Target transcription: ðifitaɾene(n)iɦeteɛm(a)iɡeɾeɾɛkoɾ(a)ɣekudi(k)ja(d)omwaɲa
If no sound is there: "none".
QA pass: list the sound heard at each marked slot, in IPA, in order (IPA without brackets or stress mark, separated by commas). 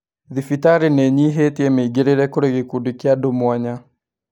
ɲ, e, e, k, d